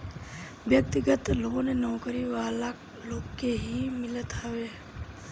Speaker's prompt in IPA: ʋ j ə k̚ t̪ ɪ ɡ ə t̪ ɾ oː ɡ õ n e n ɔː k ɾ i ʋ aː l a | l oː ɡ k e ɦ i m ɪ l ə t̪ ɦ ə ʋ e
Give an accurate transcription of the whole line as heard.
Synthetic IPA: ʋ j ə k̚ t̪ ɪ ɡ ə t̪ l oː ɡ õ n e n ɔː k ɾ i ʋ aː l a | l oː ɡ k e ɦ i m ɪ l ə t̪ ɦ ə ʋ e